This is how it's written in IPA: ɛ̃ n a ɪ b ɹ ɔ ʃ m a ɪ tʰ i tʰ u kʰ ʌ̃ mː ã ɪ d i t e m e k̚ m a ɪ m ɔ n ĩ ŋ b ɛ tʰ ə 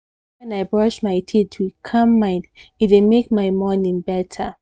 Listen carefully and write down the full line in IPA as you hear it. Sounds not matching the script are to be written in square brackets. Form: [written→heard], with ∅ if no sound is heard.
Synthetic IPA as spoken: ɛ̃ n a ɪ b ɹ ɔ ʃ m a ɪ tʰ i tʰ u kʰ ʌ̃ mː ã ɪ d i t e m e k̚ m a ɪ m ɔ n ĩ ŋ b ɛ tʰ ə